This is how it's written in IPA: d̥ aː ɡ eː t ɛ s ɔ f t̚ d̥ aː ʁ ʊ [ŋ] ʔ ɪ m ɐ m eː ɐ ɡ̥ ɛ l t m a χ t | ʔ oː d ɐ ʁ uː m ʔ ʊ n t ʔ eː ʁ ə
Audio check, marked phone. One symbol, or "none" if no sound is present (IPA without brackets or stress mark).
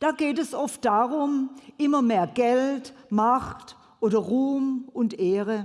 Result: m